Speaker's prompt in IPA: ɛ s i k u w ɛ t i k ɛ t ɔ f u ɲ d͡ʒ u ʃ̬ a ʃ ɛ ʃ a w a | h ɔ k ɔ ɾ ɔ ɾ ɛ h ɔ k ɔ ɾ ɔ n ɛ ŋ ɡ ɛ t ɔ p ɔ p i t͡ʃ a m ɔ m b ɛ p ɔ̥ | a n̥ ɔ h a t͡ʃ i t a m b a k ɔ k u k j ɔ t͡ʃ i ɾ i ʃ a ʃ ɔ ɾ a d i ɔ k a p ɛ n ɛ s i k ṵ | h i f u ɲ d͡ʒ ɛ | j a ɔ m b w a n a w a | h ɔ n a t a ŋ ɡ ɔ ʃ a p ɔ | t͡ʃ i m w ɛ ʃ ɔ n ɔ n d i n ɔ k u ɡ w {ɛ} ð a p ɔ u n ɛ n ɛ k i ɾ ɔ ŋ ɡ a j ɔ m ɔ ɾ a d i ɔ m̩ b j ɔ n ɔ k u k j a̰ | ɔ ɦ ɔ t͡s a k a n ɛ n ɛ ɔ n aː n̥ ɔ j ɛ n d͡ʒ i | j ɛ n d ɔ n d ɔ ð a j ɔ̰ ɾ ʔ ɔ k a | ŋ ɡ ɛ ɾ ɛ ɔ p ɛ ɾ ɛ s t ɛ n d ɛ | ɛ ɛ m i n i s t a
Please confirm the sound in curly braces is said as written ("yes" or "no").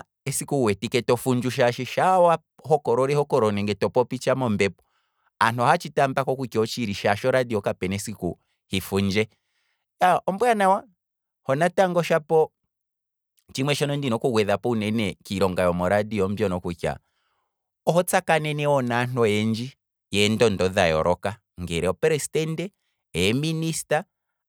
yes